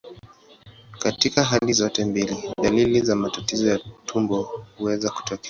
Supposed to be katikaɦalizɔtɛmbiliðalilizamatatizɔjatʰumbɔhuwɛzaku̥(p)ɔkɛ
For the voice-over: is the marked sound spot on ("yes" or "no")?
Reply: no